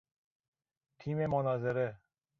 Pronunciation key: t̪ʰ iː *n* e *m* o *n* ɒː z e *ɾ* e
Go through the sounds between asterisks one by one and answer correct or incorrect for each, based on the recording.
incorrect, correct, correct, correct

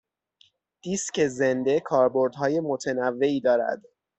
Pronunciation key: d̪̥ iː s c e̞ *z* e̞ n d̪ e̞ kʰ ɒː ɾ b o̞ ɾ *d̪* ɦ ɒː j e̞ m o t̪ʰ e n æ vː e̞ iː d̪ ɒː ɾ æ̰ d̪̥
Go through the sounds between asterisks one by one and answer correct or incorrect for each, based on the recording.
correct, correct

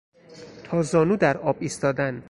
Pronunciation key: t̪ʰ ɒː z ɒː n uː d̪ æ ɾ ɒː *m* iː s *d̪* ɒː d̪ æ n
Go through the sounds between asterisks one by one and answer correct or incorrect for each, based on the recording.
incorrect, incorrect

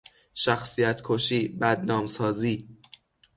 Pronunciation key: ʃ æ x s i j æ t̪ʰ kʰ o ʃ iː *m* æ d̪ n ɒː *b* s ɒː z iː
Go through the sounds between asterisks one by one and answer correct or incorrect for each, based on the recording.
incorrect, incorrect

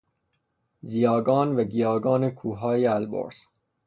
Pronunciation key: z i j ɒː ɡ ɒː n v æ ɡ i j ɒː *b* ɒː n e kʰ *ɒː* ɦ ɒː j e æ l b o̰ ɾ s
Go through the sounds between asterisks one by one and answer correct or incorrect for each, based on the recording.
incorrect, incorrect

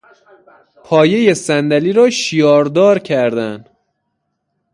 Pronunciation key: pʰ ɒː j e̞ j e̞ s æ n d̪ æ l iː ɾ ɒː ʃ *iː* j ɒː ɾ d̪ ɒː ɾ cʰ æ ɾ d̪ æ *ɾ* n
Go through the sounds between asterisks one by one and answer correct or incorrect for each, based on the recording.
incorrect, incorrect

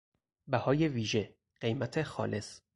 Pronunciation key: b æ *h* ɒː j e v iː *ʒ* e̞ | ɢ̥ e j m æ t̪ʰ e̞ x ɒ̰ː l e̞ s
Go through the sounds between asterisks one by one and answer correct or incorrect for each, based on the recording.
correct, correct

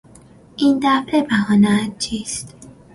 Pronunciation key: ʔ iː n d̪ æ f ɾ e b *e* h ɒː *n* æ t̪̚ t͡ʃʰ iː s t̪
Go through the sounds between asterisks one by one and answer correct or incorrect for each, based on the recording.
incorrect, correct

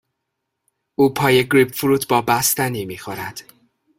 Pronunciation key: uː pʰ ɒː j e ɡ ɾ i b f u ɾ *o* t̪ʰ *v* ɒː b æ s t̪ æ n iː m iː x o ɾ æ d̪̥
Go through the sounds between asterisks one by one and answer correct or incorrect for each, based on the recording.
incorrect, incorrect

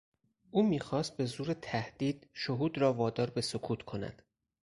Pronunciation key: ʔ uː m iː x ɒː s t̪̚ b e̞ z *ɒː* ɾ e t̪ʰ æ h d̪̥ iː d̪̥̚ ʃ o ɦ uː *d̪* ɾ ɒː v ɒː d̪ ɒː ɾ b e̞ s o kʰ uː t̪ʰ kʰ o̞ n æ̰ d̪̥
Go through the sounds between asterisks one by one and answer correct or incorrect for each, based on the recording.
incorrect, correct

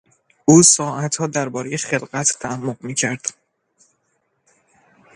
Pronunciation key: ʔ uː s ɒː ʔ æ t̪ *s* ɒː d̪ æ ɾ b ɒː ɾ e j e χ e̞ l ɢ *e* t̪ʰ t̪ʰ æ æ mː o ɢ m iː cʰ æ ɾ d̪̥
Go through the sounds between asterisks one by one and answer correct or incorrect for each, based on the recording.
incorrect, incorrect

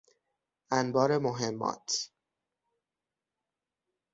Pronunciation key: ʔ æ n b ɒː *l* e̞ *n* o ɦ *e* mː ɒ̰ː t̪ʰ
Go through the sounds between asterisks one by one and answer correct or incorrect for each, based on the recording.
incorrect, incorrect, correct

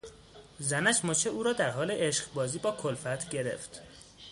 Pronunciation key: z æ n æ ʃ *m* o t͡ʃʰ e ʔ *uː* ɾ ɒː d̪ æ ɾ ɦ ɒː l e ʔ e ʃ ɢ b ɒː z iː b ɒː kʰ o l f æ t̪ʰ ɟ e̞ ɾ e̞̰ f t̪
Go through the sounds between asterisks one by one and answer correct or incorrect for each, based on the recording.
correct, correct

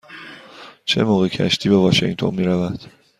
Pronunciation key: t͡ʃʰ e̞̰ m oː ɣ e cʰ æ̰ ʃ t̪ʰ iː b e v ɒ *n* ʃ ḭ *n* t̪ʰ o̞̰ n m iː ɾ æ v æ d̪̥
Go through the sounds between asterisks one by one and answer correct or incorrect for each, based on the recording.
incorrect, incorrect

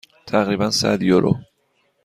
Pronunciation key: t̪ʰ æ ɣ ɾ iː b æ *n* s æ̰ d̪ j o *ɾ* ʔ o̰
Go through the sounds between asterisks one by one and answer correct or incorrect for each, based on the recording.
correct, correct

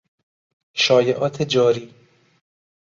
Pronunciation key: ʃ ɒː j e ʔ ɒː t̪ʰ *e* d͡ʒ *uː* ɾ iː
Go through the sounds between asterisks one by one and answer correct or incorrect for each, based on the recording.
correct, incorrect

